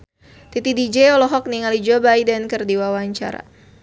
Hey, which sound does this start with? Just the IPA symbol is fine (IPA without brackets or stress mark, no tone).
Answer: t̪